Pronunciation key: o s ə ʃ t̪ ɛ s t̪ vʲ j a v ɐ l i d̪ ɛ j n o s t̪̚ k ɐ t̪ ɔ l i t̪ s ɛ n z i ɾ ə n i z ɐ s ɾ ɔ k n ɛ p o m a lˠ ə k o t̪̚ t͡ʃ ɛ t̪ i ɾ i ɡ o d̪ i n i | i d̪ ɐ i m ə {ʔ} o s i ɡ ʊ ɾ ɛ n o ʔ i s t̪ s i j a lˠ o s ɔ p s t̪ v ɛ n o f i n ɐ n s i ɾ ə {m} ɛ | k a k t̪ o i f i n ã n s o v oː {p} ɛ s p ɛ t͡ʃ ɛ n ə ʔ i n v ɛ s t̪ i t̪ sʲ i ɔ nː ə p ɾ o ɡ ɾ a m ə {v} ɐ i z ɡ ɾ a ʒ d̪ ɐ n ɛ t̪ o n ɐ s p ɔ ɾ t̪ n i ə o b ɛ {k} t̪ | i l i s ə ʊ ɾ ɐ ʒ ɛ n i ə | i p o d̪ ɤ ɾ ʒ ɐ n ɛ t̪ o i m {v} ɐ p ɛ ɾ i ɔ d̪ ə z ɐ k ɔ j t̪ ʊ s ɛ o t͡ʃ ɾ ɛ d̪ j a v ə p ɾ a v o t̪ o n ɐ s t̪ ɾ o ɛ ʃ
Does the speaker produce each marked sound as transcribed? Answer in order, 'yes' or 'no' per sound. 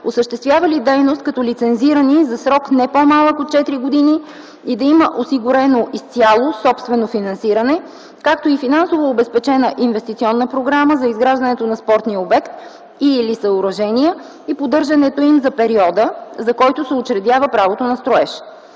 yes, no, no, no, yes, no

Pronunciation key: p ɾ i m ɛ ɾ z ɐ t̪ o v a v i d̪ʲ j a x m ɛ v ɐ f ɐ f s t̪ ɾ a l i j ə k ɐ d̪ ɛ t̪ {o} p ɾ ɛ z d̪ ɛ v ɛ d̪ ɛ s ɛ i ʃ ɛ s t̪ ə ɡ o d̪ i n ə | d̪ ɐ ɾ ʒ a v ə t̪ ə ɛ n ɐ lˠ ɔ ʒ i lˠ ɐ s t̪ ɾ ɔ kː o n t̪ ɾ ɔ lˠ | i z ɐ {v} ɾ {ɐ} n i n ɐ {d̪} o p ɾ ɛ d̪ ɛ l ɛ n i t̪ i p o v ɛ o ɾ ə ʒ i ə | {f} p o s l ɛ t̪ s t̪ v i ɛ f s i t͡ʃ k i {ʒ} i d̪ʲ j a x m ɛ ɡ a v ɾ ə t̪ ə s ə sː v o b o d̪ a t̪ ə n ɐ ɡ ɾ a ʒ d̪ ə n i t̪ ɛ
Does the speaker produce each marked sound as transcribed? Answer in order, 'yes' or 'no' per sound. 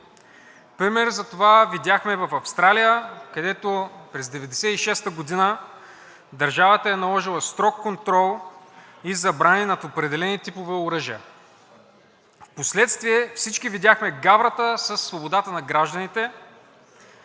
yes, no, no, no, yes, no

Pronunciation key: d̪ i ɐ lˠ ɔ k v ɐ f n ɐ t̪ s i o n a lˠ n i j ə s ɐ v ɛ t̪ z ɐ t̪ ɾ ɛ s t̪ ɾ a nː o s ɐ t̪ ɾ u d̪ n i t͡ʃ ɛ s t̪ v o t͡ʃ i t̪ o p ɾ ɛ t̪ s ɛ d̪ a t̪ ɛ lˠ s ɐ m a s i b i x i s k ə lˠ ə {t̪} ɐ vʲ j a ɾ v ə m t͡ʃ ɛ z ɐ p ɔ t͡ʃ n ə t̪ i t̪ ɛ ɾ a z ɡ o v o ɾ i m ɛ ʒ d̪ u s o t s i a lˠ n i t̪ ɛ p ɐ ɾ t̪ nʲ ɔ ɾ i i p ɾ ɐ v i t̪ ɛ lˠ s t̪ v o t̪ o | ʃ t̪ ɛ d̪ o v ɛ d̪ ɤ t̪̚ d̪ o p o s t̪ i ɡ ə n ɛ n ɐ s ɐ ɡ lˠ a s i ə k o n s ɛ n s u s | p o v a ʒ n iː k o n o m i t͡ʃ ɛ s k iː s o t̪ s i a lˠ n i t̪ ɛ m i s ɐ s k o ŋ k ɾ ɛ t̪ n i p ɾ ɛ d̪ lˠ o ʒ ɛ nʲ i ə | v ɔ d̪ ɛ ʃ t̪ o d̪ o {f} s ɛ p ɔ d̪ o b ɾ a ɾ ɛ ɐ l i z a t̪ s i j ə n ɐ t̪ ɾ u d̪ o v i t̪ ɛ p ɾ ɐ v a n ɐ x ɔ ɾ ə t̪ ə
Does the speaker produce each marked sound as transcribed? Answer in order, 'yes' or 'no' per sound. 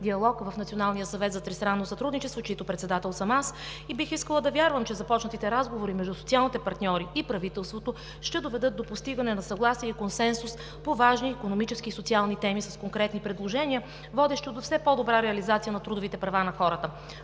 no, yes

